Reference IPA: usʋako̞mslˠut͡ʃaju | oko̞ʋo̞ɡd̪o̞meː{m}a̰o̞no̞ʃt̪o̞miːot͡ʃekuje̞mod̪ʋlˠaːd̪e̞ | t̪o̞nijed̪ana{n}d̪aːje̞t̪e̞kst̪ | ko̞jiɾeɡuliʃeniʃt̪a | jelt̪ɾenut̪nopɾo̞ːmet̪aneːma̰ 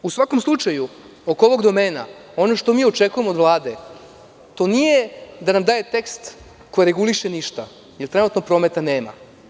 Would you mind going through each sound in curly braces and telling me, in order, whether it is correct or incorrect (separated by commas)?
incorrect, incorrect